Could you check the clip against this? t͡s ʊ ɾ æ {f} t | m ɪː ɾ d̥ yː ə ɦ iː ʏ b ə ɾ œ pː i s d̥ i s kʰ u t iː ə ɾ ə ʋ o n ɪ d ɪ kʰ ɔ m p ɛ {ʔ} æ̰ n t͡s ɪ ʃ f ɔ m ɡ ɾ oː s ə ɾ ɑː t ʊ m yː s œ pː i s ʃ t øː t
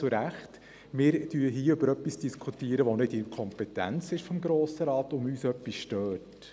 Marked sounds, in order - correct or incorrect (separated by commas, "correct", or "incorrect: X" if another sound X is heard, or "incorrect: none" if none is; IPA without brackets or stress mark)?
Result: incorrect: χ, incorrect: t